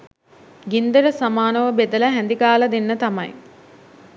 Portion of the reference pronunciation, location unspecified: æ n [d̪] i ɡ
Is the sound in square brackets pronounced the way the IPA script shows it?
yes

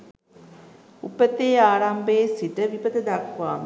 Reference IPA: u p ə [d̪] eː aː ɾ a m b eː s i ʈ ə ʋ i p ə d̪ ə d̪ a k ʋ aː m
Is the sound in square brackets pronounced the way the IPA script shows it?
no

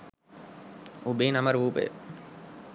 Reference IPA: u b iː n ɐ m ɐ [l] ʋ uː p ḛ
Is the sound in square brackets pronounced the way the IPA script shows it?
no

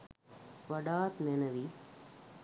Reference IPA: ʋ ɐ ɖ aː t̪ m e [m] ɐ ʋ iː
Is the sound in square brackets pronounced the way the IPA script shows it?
no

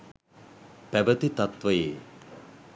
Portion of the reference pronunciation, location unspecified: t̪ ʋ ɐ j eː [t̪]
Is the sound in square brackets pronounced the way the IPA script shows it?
no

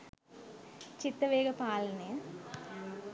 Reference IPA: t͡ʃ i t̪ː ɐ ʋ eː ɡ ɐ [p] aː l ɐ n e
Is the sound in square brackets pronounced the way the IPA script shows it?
yes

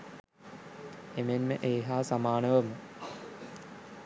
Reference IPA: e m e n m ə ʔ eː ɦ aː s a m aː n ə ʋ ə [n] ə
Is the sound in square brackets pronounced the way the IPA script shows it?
no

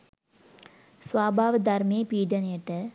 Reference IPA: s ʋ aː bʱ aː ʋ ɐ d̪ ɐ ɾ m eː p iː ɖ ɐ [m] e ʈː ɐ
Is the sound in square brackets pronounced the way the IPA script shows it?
no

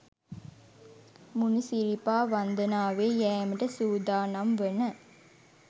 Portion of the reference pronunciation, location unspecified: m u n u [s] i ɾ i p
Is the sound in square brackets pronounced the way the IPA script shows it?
yes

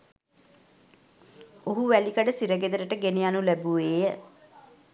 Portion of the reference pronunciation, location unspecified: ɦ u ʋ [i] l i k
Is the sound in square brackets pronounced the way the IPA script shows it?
no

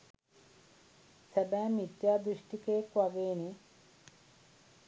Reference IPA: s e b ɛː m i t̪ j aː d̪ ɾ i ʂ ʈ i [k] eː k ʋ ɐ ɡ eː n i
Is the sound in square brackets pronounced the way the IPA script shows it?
yes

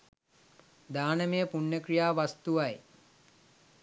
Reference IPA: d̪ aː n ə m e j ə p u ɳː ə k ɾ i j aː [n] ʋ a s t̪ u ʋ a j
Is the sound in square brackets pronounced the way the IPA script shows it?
no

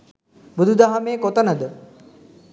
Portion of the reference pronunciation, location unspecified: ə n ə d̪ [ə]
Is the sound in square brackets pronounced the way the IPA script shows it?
yes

